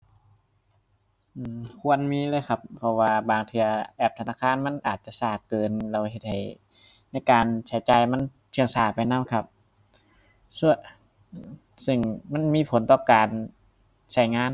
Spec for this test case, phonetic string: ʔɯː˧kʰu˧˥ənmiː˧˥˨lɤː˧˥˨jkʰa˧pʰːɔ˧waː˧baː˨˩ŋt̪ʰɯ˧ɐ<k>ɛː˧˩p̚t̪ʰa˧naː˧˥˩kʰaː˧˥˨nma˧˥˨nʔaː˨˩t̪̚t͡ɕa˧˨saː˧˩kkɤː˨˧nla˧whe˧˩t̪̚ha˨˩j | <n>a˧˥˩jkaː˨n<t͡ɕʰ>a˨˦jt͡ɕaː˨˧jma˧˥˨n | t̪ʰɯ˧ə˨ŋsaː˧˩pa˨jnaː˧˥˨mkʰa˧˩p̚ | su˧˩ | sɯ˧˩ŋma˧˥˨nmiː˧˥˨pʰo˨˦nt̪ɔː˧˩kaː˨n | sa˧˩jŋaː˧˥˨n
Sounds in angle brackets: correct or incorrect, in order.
incorrect: ʔ, correct, correct

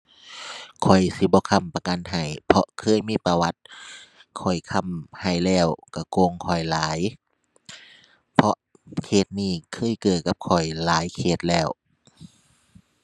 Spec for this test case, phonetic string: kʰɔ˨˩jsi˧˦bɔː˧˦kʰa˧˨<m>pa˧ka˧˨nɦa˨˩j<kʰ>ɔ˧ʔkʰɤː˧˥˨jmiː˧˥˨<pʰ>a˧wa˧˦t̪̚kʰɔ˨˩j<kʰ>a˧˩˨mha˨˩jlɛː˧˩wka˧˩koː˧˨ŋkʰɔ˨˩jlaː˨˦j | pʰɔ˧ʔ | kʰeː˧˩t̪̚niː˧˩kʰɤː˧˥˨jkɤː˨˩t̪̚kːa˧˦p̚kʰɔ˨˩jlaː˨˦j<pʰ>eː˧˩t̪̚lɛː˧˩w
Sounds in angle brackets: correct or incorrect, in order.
correct, incorrect: pʰ, incorrect: p, correct, incorrect: kʰ

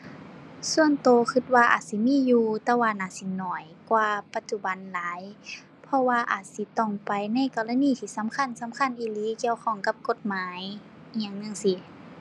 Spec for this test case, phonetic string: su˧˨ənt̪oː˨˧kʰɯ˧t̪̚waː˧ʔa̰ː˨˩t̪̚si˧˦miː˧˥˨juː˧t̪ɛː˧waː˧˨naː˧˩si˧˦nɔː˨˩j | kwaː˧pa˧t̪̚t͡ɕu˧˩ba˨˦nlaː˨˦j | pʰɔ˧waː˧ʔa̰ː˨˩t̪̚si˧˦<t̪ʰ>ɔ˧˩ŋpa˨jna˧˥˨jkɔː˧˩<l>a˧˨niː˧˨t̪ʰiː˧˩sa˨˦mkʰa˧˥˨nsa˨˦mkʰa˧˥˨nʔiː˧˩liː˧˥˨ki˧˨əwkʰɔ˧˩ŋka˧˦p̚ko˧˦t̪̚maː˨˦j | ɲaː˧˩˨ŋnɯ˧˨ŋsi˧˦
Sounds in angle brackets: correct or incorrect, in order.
incorrect: t̪, correct

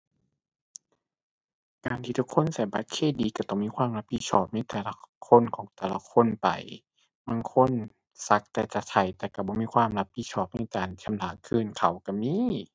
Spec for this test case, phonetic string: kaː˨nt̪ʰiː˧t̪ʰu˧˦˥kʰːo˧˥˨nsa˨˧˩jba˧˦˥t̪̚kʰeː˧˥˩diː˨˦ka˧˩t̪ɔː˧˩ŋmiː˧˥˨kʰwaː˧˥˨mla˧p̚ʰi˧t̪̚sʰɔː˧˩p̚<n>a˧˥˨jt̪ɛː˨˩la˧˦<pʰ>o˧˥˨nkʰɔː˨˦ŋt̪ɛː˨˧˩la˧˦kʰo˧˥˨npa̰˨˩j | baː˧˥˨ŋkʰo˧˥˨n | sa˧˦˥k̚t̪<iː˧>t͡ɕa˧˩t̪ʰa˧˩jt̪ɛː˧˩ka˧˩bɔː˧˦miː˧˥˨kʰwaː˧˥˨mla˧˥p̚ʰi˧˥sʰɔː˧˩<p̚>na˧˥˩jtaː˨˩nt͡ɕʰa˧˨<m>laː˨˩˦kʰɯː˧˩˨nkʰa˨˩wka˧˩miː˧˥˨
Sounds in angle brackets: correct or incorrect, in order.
correct, incorrect: kʰ, incorrect: ɛː˧, correct, correct

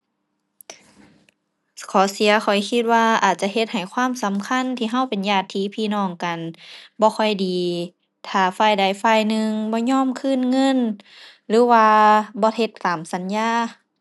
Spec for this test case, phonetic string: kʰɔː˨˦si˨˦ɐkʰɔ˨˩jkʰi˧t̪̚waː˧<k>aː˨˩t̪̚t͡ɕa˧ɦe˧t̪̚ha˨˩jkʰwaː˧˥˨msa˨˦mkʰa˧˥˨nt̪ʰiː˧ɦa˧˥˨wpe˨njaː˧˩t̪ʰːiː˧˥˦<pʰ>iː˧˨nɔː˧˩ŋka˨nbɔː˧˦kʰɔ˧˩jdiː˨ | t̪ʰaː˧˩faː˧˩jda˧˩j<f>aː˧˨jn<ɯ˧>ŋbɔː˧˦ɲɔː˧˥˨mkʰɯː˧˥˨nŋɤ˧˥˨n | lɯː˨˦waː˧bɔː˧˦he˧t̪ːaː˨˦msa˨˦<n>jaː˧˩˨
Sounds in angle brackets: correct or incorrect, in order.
incorrect: ʔ, correct, correct, correct, correct

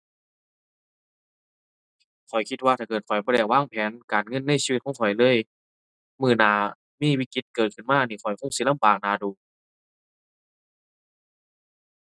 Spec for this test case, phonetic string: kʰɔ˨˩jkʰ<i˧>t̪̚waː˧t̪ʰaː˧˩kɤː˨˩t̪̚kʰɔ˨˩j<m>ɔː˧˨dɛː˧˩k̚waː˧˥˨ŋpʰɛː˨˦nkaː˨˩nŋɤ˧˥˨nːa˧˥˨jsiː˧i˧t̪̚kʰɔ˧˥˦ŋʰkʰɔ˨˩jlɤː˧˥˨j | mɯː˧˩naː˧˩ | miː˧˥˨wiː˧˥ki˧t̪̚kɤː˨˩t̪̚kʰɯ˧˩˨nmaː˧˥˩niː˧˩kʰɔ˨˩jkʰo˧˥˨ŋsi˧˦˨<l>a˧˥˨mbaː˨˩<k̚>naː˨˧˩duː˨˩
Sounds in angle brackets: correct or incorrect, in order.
correct, incorrect: b, correct, correct

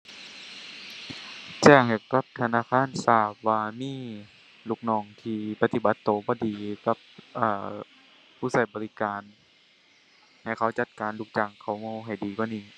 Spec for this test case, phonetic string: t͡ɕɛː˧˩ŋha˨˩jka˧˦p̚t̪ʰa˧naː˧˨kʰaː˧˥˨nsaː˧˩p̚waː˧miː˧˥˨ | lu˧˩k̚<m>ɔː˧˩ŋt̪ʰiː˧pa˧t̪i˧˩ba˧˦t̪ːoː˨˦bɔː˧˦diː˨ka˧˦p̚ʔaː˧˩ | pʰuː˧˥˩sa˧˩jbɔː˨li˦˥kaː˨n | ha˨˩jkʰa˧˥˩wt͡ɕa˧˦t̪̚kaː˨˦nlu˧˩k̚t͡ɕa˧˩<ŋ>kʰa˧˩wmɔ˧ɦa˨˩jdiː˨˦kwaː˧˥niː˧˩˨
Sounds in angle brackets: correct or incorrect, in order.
incorrect: n, correct

